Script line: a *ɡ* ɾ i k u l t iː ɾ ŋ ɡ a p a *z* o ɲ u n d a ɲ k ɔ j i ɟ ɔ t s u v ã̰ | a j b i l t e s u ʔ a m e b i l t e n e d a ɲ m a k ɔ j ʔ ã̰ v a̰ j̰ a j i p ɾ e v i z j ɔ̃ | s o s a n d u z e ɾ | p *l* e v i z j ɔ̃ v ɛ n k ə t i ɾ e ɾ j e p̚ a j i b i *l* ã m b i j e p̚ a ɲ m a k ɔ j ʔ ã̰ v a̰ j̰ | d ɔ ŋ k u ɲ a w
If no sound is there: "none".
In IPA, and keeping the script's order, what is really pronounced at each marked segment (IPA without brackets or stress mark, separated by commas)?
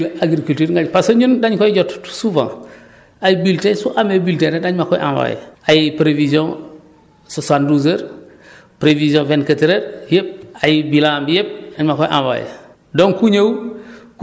ɡ, s, ɾ, l